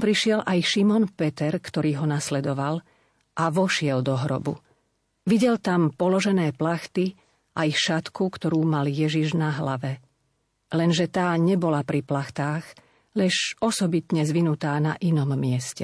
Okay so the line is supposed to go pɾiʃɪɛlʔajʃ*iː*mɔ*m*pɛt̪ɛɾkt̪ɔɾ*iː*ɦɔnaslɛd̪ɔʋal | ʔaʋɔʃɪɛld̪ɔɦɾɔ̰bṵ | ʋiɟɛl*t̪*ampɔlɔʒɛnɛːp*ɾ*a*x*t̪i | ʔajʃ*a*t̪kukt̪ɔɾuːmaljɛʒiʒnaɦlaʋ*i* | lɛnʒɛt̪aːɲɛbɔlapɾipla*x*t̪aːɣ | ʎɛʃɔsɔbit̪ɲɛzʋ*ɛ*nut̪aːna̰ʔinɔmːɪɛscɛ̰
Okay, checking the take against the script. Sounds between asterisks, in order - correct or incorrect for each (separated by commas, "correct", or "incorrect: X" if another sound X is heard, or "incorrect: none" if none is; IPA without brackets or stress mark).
incorrect: i, incorrect: n, correct, correct, incorrect: l, correct, correct, incorrect: ɛ, correct, incorrect: i